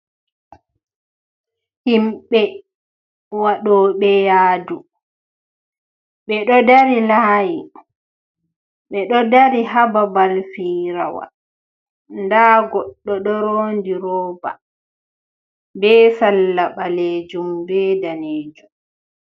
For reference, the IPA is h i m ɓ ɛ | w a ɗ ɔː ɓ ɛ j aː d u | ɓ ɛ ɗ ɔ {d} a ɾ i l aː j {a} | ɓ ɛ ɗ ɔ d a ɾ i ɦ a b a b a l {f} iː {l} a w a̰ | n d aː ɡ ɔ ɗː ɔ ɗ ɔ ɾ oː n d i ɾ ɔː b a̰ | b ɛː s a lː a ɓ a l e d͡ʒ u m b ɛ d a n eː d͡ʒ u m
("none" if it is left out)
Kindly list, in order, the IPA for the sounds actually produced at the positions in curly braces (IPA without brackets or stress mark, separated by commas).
d, i, f, ɾ